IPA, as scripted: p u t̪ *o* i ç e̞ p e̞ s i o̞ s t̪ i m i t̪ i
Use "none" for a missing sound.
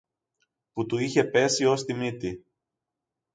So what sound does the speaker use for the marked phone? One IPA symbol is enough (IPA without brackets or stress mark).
u